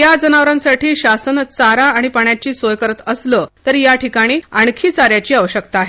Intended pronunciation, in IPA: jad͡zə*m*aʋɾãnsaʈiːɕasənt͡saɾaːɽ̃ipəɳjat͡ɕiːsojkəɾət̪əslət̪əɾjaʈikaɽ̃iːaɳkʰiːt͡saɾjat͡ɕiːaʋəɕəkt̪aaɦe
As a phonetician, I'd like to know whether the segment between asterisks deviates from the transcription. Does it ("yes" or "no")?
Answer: yes